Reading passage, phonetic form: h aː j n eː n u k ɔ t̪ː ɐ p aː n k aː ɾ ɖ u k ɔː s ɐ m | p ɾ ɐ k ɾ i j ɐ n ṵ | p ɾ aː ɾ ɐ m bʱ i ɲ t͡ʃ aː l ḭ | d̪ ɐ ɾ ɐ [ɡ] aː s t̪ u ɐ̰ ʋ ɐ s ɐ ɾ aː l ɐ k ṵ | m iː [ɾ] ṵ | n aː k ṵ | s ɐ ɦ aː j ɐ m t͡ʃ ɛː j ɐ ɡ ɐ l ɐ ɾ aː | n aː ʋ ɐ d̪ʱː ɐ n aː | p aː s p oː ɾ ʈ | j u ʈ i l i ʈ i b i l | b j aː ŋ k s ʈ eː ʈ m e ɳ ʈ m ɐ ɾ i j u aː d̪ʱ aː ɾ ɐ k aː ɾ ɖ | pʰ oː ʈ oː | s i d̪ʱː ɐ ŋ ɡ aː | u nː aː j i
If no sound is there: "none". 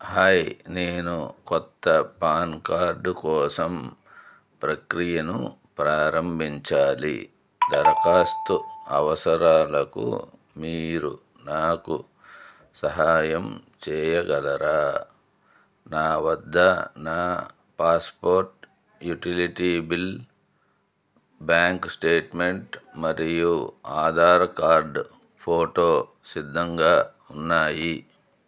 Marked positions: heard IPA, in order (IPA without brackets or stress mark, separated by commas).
k, ɾ